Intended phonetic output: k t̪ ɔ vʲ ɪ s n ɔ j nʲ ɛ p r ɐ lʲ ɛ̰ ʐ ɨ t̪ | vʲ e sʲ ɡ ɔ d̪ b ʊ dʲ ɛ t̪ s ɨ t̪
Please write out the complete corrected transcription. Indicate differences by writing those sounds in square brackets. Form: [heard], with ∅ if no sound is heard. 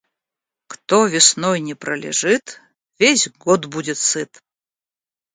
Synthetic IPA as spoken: k t̪ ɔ vʲ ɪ s n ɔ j nʲ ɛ p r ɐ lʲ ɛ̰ ʐ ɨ t̪ | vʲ e sʲ ɡ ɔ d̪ b [u] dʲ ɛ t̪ s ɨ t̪